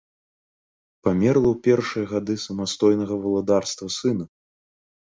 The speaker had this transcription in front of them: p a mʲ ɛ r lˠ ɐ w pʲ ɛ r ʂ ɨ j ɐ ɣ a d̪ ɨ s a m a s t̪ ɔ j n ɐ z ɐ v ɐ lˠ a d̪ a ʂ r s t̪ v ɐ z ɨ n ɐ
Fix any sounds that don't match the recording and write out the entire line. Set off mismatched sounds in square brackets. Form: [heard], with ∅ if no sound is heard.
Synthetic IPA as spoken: p a mʲ ɛ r lˠ ɐ w pʲ ɛ r ʂ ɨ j ɐ ɣ a d̪ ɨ s [ɐ] m a s t̪ ɔ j n ɐ [ɣ] ɐ v ɐ lˠ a d̪ a [∅] r s t̪ v ɐ [s] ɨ n ɐ